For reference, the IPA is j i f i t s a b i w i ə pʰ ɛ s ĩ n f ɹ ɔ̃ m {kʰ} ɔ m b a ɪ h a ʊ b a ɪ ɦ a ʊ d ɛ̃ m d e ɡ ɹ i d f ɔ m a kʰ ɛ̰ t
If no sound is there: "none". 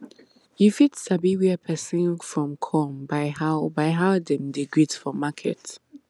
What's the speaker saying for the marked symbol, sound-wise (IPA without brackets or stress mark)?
kʰ